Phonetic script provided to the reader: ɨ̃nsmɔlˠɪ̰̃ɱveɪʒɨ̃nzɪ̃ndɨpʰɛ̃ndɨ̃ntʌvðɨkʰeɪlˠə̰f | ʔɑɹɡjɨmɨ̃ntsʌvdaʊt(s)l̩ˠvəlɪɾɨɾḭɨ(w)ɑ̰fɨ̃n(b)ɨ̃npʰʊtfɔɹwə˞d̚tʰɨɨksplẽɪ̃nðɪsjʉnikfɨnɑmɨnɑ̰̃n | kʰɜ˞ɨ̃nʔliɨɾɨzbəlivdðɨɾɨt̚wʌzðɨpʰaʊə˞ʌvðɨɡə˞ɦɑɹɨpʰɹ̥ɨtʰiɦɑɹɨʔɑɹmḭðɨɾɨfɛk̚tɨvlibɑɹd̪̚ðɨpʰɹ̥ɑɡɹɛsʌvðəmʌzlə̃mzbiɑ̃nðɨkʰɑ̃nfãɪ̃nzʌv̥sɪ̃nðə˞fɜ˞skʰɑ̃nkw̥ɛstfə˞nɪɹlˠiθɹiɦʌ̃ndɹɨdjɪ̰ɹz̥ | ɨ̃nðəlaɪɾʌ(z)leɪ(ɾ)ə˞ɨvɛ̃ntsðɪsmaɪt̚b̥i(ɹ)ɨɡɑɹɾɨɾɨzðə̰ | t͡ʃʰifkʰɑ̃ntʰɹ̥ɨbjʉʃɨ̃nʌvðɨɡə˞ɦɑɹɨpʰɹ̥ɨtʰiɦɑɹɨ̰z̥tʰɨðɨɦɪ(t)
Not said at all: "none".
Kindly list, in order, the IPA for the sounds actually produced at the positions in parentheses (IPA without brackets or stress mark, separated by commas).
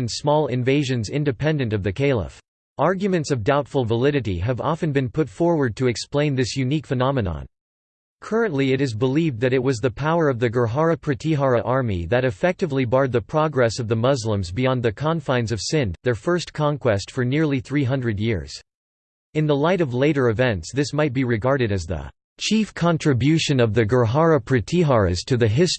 f, v, b, v, ɾ, ɹ, s